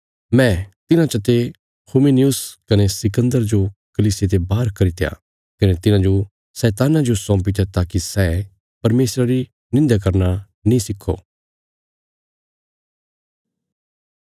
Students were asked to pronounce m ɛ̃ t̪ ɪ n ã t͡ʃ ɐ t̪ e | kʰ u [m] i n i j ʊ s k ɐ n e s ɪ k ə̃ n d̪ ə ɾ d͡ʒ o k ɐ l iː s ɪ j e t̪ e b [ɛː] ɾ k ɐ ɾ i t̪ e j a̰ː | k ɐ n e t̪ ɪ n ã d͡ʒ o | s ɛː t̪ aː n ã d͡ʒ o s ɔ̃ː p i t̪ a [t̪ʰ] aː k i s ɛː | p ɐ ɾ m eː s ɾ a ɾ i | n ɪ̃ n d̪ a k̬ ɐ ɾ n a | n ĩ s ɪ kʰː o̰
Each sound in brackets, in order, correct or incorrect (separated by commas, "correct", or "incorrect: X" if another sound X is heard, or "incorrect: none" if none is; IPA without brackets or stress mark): correct, incorrect: aː, incorrect: t̪